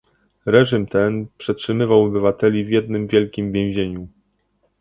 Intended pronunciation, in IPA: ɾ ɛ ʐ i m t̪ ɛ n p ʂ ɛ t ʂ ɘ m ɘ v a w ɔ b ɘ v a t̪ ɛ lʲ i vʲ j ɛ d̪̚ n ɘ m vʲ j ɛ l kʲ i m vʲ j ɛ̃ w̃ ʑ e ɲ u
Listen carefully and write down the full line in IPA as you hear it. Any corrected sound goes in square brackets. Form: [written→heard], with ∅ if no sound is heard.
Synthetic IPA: ɾ ɛ ʐ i m t̪ ɛ n p ʂ ɛ t ʂ ɘ m ɘ v a w ɔ b ɘ v a t̪ ɛ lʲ i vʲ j ɛ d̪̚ n ɘ m vʲ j ɛ l kʲ i m vʲ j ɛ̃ w̃ ʑ e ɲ u